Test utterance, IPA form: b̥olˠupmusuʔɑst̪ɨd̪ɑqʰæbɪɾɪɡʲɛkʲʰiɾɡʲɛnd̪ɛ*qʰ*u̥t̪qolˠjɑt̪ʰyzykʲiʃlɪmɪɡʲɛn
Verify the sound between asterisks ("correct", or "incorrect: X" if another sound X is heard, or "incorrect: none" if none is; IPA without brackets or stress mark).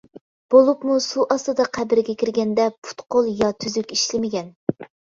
incorrect: pʰ